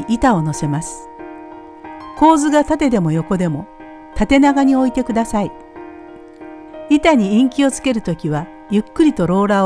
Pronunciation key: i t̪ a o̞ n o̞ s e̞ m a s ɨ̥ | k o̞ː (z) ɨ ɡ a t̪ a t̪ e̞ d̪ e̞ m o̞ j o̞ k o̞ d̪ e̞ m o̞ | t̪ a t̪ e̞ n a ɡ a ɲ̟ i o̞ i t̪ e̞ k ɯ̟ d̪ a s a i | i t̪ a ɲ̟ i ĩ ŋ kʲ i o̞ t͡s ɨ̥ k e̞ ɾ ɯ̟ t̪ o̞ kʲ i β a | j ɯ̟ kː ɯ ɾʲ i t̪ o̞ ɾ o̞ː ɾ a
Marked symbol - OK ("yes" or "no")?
yes